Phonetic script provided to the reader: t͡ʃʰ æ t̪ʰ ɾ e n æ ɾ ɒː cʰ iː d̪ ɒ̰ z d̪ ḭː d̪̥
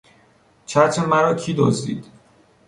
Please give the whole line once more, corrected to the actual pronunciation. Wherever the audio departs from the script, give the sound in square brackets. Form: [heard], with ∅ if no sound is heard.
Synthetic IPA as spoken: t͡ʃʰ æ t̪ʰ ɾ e [m] æ ɾ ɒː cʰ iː d̪ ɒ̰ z d̪ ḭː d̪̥